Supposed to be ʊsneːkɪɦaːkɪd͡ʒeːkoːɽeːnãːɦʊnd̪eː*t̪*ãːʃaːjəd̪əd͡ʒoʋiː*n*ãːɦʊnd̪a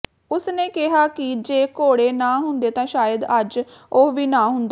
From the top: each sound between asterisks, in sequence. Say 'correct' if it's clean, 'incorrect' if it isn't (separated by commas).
correct, correct